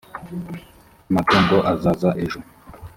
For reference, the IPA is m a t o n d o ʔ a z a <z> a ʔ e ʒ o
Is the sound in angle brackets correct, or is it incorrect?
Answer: correct